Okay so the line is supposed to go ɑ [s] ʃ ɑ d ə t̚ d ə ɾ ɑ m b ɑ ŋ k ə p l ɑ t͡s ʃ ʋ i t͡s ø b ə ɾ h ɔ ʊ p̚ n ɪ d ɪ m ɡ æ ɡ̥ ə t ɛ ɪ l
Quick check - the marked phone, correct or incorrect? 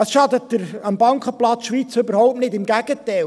correct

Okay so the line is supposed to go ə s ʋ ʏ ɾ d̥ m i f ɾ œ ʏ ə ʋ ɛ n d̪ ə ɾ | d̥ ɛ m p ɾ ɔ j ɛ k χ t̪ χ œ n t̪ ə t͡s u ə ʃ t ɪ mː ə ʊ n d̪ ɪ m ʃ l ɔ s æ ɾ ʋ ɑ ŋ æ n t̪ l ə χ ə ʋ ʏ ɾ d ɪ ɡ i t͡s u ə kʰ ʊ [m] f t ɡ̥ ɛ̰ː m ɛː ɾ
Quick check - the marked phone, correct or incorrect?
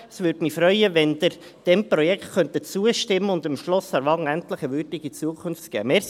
incorrect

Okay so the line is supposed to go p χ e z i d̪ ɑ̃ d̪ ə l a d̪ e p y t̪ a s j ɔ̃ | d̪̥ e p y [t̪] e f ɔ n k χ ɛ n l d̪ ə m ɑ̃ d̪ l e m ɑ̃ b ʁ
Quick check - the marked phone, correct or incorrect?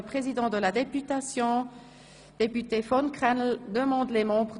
correct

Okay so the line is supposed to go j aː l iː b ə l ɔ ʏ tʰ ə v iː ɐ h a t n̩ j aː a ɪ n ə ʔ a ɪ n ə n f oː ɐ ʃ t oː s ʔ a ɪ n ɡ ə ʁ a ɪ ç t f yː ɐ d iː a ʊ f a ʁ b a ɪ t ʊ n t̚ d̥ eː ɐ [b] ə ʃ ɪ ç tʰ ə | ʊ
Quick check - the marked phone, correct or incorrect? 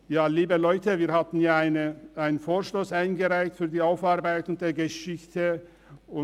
incorrect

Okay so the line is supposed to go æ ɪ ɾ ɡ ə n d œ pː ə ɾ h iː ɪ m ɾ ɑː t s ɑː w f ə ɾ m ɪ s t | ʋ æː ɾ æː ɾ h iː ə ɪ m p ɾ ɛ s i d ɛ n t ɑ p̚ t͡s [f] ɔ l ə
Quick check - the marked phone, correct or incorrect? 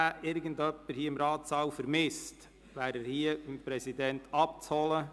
incorrect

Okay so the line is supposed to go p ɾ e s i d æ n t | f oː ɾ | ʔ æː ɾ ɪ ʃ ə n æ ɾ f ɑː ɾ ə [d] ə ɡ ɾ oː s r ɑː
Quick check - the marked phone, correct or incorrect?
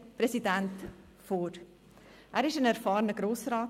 incorrect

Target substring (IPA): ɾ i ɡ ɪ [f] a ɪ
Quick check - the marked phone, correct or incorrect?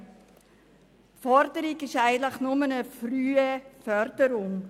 incorrect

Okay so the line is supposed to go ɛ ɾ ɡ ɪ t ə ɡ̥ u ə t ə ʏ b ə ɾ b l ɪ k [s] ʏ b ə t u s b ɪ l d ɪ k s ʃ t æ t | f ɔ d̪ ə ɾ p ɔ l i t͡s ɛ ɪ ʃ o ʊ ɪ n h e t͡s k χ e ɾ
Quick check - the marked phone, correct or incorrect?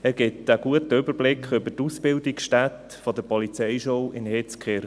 incorrect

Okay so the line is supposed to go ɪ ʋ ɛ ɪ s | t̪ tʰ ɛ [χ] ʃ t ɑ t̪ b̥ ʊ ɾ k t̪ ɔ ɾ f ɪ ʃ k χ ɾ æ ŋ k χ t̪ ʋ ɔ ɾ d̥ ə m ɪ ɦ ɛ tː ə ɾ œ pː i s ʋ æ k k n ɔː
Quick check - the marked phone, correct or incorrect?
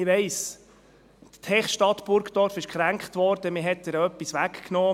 correct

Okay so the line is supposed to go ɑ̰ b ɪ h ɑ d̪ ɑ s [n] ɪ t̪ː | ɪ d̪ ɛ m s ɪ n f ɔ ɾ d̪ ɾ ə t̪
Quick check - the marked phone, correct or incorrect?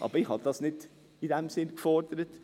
correct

